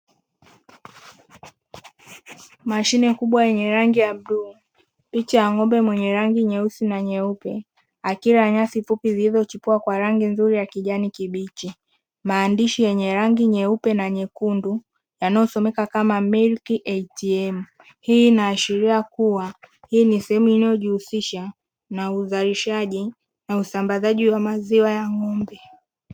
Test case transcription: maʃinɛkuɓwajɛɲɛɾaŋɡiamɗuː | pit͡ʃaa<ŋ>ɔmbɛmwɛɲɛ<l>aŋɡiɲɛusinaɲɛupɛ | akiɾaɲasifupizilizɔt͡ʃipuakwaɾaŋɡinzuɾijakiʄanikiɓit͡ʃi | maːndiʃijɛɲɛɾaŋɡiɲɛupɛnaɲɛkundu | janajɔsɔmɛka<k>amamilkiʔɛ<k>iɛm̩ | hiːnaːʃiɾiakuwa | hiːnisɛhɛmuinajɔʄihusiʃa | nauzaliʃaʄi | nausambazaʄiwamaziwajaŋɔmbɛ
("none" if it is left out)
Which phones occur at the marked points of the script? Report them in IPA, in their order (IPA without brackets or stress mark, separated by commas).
ŋ, ɾ, k, t